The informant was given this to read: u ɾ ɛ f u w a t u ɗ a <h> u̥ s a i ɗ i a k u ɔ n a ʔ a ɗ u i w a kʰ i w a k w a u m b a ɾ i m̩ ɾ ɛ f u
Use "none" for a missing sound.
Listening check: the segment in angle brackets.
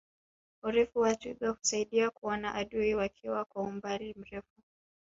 h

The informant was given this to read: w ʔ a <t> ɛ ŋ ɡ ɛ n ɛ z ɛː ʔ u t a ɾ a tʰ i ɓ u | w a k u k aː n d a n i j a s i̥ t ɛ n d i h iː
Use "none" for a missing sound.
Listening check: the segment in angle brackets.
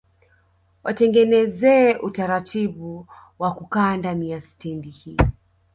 t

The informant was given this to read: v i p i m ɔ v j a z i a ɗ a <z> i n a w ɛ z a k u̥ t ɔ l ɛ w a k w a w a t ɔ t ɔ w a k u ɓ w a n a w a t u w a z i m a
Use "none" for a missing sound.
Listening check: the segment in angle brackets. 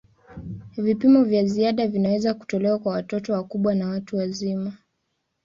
v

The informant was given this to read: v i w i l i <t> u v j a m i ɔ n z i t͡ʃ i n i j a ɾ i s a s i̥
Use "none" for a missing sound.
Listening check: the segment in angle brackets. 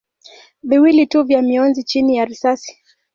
t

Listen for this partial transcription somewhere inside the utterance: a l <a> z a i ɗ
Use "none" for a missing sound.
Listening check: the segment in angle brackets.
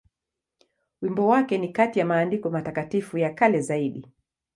ɛ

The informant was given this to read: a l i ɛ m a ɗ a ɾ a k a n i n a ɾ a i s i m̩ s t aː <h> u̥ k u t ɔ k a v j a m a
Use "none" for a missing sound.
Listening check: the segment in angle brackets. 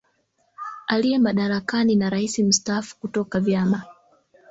f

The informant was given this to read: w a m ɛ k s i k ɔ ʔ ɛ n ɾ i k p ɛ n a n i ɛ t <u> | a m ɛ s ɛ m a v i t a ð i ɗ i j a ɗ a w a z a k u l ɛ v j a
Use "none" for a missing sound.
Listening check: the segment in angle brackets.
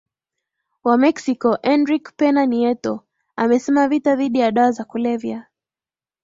ɔ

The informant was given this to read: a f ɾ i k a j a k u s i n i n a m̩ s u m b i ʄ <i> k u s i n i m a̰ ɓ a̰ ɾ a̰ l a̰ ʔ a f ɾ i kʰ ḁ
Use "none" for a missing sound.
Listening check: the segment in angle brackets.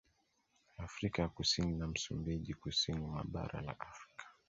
i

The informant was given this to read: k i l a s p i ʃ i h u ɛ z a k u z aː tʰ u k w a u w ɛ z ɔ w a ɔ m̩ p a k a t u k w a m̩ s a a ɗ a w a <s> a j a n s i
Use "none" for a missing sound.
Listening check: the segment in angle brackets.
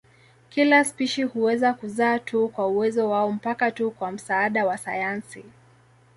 s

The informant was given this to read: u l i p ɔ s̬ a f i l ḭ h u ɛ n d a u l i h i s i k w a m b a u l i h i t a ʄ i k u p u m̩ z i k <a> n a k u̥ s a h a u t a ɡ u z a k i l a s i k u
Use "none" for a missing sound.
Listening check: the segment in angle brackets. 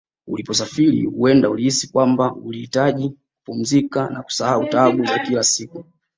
a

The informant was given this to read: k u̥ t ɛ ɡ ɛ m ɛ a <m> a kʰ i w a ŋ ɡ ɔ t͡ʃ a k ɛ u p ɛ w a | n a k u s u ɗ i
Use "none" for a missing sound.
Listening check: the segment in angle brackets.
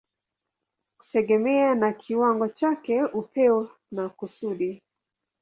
n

